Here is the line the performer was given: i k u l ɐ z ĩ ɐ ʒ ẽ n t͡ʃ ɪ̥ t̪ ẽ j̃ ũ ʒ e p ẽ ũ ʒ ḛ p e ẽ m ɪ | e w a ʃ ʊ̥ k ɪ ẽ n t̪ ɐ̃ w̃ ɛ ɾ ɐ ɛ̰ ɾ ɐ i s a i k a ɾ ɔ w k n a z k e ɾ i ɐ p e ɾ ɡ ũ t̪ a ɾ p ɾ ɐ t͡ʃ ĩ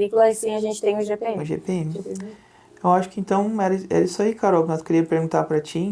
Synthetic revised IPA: i k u l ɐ s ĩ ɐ ʒ ẽ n t͡ʃ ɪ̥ t̪ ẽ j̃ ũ ʒ e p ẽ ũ ʒ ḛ p e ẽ m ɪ | e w a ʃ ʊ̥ k ɪ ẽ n t̪ ɐ̃ w̃ ɛ ɾ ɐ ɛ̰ ɾ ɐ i s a i k a ɾ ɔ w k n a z k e ɾ i ɐ p e ɾ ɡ ũ t̪ a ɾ p ɾ ɐ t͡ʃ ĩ

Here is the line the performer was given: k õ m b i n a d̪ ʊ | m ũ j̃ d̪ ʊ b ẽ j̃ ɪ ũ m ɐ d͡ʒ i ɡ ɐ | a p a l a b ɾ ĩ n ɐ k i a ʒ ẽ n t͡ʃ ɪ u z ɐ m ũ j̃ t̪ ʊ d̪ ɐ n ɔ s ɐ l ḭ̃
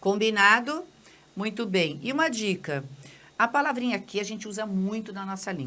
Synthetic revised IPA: k õ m b i n a d̪ ʊ | m ũ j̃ t̪ ʊ b ẽ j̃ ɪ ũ m ɐ d͡ʒ i k ɐ | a p a l a v ɾ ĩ ɲ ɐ k i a ʒ ẽ n t͡ʃ ɪ u z ɐ m ũ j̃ t̪ ʊ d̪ ɐ n ɔ s ɐ l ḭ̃

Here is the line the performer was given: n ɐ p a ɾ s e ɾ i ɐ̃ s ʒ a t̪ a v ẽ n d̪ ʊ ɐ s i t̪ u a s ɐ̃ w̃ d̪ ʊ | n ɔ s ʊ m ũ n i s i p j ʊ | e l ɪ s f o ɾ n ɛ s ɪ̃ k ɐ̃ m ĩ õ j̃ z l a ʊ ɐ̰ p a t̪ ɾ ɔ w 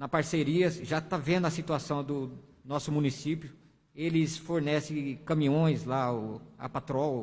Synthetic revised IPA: n ɐ p a ɾ s e ɾ i ɐ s ʒ a t̪ a v ẽ n d̪ ʊ ɐ s i t̪ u a s ɐ̃ w̃ d̪ ʊ | n ɔ s ʊ m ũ n i s i p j ʊ | e l ɪ s f o ɾ n ɛ s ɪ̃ k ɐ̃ m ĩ õ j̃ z l a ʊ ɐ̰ p a t̪ ɾ ɔ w

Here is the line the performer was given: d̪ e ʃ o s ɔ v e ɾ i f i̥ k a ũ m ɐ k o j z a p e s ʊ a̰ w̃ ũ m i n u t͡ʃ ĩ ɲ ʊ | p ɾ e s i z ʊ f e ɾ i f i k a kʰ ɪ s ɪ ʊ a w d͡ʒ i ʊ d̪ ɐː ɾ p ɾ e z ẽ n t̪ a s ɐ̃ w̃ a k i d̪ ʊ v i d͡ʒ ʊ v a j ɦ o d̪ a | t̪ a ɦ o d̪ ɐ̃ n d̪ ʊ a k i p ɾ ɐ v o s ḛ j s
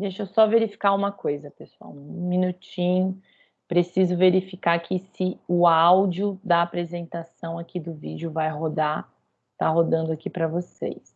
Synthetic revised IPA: d̪ e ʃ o s ɔ v e ɾ i f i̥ k a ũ m ɐ k o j z ɐ p e s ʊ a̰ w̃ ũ m i n u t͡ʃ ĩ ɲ ʊ | p ɾ e s i z ʊ v e ɾ i f i k a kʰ ɪ s ɪ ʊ a w d͡ʒ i ʊ d̪ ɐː p ɾ e z ẽ n t̪ a s ɐ̃ w̃ a k i d̪ ʊ v i d͡ʒ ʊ v a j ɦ o d̪ a | t̪ a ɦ o d̪ ɐ̃ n d̪ ʊ a k i p ɾ ɐ v o s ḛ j s

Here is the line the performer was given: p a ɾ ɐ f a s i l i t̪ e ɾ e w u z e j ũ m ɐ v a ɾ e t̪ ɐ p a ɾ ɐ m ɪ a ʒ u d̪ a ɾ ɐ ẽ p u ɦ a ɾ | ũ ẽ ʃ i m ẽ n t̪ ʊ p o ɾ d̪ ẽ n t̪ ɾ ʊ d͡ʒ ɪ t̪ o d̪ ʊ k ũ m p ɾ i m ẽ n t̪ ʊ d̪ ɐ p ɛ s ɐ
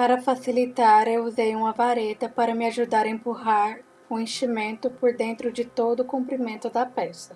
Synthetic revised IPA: p a ɾ ɐ f a s i l i t̪ a ɾ e w u z e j ũ m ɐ v a ɾ e t̪ ɐ p a ɾ ɐ m ɪ a ʒ u d̪ a ɾ ɐ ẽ p u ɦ a ɾ | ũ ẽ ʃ i m ẽ n t̪ ʊ p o ɾ d̪ ẽ n t̪ ɾ ʊ d͡ʒ ɪ t̪ o d̪ ʊ k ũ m p ɾ i m ẽ n t̪ ʊ d̪ ɐ p ɛ s ɐ

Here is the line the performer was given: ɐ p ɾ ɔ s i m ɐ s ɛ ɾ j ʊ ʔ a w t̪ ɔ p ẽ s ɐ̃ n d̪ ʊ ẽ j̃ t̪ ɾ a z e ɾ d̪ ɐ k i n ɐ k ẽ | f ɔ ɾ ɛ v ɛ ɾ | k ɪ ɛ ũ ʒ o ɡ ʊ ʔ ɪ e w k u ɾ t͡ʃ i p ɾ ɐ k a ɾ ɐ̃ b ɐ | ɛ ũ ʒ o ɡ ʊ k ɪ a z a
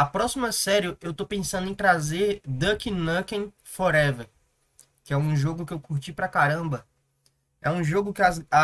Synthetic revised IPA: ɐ p ɾ ɔ s i m ɐ s ɛ ɾ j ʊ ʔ e w t̪ o p ẽ s ɐ̃ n d̪ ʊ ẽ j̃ t̪ ɾ a z e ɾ d̪ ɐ k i n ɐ k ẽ | f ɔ ɾ ɛ v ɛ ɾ | k ɪ ɛ ũ ʒ o ɡ ʊ k ɪ e w k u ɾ t͡ʃ i p ɾ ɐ k a ɾ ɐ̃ b ɐ | ɛ ũ ʒ o ɡ ʊ k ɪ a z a

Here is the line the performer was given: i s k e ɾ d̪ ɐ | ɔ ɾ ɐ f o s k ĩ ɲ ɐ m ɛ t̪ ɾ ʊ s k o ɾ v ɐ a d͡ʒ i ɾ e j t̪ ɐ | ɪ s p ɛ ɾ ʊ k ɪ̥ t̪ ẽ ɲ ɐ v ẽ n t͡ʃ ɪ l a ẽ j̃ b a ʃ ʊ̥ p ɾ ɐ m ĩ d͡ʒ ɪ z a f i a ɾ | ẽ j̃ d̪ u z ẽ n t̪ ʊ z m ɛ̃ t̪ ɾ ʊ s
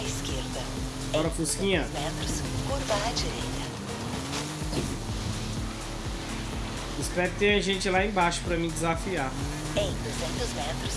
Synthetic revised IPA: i s k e ɾ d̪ ɐ | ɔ ɾ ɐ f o s k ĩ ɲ ɐ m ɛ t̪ ɾ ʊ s k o ɾ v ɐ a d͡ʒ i ɾ e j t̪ ɐ | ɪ s p ɛ ɾ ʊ k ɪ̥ t̪ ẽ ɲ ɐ ʒ ẽ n t͡ʃ ɪ l a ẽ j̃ b a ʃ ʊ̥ p ɾ ɐ m ĩ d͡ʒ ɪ z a f i a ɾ | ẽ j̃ d̪ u z ẽ n t̪ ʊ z m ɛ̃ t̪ ɾ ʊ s

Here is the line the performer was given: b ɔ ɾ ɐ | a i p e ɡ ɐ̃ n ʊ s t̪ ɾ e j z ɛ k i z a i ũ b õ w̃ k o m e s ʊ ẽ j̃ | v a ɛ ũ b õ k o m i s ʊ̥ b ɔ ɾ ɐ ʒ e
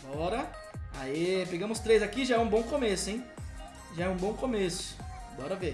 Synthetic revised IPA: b ɔ ɾ ɐ | a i p e ɡ ɐ̃ m ʊ s t̪ ɾ e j z a k i ʒ a ɛ ũ b õ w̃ k o m e s ʊ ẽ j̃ | ʒ a ɛ ũ b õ k o m e s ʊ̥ b ɔ ɾ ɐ v e

